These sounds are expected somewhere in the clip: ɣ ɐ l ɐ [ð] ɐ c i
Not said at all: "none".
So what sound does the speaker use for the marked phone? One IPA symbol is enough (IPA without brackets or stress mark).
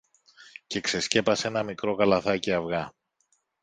θ